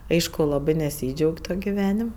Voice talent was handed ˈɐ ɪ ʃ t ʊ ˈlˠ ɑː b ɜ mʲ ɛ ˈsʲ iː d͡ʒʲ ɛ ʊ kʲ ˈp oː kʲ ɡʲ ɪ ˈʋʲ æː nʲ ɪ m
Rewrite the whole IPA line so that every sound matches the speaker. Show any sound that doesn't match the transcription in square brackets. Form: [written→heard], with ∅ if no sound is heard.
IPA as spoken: ˈɐ ɪ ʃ [t→k] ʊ ˈlˠ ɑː b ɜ [mʲ→nʲ] ɛ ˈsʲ iː d͡ʒʲ ɛ ʊ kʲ [ˈp→ˈt] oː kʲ ɡʲ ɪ ˈʋʲ æː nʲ ɪ m